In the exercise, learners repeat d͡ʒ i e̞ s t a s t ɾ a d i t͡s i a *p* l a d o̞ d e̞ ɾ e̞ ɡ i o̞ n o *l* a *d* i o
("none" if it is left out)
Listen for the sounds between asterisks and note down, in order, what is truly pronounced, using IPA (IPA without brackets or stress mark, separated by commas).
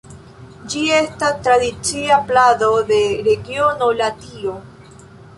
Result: p, l, t